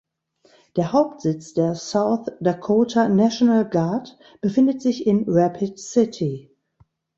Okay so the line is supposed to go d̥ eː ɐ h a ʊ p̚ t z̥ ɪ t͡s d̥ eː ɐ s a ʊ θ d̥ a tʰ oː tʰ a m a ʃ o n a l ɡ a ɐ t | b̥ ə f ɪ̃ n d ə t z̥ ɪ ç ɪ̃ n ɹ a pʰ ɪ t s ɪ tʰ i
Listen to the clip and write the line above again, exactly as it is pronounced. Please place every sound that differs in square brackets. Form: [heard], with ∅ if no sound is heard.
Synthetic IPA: d̥ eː ɐ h a ʊ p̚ t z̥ ɪ t͡s d̥ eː ɐ s a ʊ θ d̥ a [kʰ] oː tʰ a [n] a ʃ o n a l ɡ a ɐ t | b̥ ə f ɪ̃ n d ə t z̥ ɪ ç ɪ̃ n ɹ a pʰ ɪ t s ɪ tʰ i